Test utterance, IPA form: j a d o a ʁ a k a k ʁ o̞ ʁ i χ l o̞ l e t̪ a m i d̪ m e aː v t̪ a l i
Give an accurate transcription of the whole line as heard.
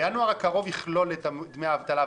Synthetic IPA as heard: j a n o a ʁ a k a ʁ o̞ v i χ l o̞ l e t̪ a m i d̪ m e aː v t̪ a l a